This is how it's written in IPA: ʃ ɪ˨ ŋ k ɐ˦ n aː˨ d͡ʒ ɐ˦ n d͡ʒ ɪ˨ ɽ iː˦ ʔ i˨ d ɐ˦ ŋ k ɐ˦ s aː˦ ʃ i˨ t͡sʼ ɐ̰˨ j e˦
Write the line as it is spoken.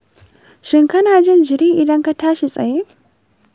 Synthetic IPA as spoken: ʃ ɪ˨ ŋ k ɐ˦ n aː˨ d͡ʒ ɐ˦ n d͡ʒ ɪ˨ ɾ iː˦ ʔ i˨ d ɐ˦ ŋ k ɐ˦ t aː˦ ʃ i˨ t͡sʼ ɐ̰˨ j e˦